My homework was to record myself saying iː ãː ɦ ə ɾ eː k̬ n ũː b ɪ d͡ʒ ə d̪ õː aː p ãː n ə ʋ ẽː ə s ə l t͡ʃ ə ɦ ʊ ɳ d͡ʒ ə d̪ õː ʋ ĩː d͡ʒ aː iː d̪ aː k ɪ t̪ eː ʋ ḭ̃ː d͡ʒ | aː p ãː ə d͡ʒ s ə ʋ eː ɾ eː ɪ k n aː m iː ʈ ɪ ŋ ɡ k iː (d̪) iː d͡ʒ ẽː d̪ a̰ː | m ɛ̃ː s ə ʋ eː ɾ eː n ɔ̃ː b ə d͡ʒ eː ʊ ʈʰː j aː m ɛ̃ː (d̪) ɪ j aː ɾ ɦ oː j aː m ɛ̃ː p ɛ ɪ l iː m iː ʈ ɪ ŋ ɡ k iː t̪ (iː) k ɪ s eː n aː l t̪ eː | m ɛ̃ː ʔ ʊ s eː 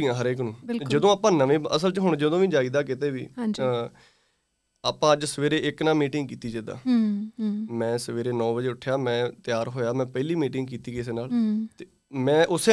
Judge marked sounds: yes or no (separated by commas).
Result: no, no, yes